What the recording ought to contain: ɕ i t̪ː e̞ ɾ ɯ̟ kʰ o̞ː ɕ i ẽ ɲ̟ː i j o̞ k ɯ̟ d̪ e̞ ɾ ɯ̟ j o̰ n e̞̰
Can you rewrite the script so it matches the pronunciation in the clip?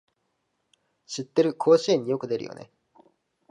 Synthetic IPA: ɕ i t̪ː e̞ ɾ ɯ̟ kʰ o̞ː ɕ i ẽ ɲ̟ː i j o̞ k ɯ̟ d̪ e̞ ɾ ɯ̟ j o̰ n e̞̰